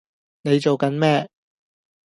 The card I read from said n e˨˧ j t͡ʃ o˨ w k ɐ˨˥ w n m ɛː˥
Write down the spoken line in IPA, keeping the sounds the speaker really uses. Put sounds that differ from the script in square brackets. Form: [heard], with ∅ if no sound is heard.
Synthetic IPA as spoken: n e˨˧ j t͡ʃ o˨ w k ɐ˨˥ [∅] n m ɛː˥